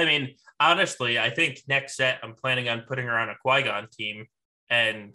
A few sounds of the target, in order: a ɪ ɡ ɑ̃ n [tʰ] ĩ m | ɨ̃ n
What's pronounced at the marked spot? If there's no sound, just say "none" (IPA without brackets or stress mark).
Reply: tʰ